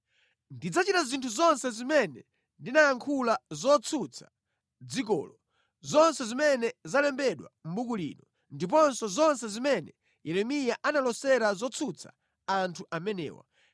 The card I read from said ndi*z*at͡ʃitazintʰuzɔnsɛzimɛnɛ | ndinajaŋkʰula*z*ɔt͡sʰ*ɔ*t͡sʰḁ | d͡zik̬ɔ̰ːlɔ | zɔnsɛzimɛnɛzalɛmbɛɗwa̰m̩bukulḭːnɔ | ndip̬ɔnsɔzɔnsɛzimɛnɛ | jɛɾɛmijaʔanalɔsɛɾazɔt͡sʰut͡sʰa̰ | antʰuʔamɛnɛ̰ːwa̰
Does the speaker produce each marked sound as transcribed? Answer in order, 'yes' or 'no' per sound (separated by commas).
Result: no, yes, no